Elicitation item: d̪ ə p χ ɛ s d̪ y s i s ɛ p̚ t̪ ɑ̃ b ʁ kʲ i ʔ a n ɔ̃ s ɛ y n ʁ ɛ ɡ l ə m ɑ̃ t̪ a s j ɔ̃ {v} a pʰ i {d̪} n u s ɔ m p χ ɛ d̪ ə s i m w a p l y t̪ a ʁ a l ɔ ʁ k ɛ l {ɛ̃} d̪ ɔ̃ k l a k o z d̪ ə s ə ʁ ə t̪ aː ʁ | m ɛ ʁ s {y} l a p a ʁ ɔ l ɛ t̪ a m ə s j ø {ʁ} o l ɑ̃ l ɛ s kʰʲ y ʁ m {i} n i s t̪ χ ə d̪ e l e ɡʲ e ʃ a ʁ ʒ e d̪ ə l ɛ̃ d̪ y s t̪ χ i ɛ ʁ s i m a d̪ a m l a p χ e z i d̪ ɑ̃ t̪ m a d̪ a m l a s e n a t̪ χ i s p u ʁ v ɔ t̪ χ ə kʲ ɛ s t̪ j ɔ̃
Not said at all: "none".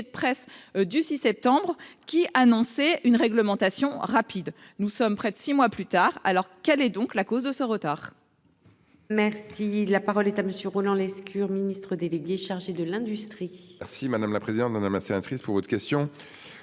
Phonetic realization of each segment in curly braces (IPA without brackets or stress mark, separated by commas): ʁ, d̪, ɛ, i, ʁ, i